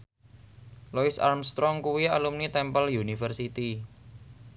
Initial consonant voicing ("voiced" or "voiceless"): voiced